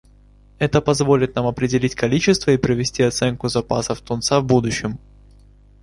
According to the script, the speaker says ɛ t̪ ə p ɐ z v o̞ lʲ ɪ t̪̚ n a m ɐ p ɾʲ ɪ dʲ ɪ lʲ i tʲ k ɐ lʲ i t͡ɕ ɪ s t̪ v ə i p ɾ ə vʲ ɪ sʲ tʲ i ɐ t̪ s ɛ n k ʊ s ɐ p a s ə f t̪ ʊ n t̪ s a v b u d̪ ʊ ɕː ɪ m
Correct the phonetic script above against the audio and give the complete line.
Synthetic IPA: ɛ t̪ ə p ɐ z v o̞ lʲ ɪ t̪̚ n a m ɐ p ɾʲ ɪ dʲ ɪ lʲ i tʲ k ɐ lʲ i t͡ɕ ɪ s t̪ v ə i p ɾ ə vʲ ɪ sʲ tʲ i ɐ t̪ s ɛ n k ʊ z ɐ p a s ə f t̪ ʊ n t̪ s a v b u d̪ ʊ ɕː ɪ m